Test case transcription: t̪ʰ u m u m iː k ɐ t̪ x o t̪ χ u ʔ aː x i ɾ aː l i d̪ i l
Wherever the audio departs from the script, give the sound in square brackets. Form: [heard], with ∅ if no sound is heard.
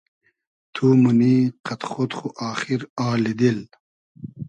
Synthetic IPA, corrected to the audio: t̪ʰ u m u [n] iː [q] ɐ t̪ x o t̪ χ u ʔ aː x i ɾ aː l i d̪ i l

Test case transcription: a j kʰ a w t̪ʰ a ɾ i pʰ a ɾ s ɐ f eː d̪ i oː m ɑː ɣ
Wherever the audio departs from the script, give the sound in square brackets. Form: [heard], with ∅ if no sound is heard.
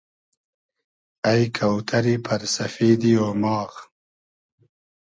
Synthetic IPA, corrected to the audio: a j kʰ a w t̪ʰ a ɾ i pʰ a ɾ s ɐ f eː d̪ i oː m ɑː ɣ

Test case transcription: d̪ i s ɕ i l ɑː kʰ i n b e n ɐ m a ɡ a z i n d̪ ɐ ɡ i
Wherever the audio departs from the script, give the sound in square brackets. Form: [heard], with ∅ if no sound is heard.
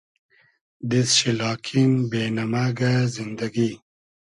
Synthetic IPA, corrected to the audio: d̪ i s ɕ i l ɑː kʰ i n b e n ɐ m a ɡ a z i n d̪ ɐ ɡ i

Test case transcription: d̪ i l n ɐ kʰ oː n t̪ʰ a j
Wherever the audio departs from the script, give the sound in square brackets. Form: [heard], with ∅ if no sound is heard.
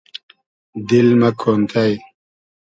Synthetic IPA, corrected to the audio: d̪ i l [m] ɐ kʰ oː n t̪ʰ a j

